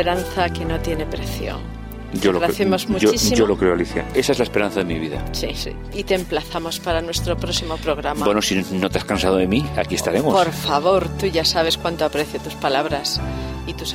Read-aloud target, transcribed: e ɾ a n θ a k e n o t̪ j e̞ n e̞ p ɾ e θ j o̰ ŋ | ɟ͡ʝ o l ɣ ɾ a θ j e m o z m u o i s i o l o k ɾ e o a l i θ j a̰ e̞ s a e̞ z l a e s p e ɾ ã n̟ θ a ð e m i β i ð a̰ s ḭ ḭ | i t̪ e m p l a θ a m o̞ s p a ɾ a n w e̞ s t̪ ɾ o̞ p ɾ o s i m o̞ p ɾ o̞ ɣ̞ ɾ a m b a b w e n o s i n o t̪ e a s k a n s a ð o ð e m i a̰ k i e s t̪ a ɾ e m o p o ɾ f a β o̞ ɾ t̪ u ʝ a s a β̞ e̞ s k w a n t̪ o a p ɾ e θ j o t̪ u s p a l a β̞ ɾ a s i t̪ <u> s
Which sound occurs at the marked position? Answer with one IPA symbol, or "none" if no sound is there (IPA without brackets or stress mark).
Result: u